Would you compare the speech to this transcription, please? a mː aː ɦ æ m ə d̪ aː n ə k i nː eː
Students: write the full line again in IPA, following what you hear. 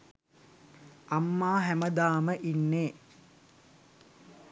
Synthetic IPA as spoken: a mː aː ɦ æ m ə d̪ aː m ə ʔ i nː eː

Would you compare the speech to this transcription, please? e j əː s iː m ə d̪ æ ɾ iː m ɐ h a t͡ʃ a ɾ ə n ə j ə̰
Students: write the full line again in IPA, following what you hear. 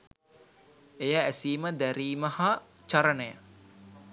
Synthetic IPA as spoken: e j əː s iː m ə d̪ æ ɾ iː m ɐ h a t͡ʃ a ɾ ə n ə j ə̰

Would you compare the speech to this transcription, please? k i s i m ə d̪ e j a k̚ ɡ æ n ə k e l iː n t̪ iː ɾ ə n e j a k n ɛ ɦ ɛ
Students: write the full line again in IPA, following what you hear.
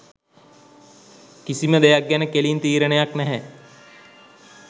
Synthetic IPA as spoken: k i s i m ə d̪ e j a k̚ ɡ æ n ə k e l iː n t̪ iː ɾ ə n e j a k n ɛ ɦ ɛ

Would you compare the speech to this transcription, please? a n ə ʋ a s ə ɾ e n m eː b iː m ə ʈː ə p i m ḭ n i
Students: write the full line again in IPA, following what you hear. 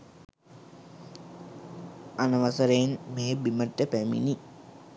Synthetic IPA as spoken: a n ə ʋ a s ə ɾ e n m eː b i m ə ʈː ə p æ m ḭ n i

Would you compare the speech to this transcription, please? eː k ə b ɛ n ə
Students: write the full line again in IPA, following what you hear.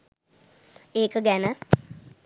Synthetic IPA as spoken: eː k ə ɡ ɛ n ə

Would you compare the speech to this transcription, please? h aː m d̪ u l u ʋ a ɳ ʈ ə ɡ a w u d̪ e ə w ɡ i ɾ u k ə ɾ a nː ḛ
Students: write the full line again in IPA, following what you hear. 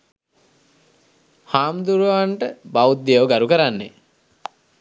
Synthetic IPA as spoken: h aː m d̪ u ɾ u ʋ a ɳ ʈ ə b a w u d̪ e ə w ɡ a ɾ u k ə ɾ a nː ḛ

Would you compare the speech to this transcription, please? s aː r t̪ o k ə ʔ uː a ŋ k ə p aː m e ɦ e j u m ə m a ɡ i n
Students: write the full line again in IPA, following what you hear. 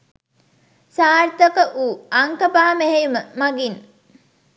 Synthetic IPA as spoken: s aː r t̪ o k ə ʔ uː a ŋ k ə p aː m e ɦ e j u m ə m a ɡ i n

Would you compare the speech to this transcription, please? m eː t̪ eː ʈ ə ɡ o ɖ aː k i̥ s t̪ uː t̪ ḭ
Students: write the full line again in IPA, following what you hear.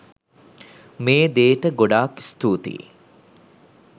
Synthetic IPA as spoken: m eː d̪ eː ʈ ə ɡ o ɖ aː k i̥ s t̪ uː t̪ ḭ

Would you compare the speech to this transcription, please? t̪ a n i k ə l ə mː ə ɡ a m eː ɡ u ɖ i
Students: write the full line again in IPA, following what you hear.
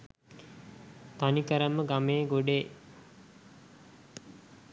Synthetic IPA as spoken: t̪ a n i k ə ɾ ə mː ə ɡ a m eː ɡ o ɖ e

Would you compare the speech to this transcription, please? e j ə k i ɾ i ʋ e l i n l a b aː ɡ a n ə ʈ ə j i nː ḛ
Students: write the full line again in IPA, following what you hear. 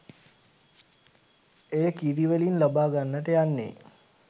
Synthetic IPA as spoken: e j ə k i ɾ i ʋ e l i n l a b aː ɡ a nː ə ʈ ə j a nː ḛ

